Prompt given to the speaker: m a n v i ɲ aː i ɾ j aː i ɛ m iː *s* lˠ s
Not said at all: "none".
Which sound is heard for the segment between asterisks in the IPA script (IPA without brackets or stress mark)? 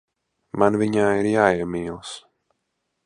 none